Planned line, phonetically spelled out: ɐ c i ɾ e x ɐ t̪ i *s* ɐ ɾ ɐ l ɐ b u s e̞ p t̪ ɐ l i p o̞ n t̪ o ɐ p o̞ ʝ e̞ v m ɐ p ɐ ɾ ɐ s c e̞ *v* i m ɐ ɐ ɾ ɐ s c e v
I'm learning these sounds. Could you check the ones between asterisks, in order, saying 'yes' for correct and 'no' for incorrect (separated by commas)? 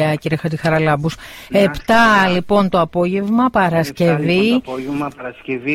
no, yes